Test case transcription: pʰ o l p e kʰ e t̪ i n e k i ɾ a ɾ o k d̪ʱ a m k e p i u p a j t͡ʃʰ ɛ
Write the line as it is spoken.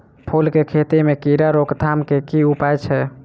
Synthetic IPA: pʰ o l k e kʰ e t̪ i m e k i ɾ a ɾ o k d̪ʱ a m k e k i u p a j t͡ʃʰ ɛ